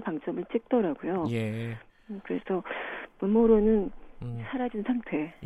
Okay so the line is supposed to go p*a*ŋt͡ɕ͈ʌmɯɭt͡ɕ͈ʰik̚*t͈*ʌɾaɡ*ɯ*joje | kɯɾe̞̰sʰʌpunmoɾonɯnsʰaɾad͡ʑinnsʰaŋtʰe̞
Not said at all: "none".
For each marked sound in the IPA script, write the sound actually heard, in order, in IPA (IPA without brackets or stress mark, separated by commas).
a, t͈, u